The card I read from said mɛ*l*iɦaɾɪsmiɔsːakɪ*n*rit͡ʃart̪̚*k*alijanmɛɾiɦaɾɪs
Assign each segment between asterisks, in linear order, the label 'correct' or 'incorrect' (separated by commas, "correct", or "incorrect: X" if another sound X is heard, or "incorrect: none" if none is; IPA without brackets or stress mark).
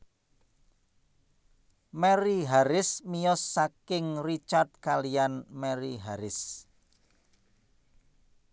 incorrect: ɾ, incorrect: ŋ, correct